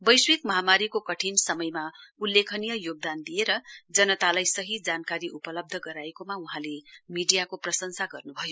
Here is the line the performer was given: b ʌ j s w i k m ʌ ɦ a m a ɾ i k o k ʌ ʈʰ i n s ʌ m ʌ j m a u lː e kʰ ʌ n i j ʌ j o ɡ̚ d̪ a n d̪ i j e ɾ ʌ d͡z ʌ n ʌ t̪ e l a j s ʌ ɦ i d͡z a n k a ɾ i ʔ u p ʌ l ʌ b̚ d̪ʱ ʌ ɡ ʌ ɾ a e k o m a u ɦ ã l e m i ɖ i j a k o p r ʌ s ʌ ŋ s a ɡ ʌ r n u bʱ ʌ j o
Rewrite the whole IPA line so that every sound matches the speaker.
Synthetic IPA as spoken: b ʌ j s w i k m ʌ ɦ a m a ɾ i k o k ʌ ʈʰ i n s ʌ m ʌ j m a u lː e kʰ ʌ n i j ʌ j o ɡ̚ d̪ a n d̪ i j e ɾ ʌ d͡z ʌ n ʌ t̪ a l a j s ʌ ɦ i d͡z a n k a ɾ i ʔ u p ʌ l ʌ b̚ d̪ʱ ʌ ɡ ʌ ɾ a e k o m a u ɦ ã l e m i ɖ i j a k o p r ʌ s ʌ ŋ s a ɡ ʌ r n u bʱ ʌ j o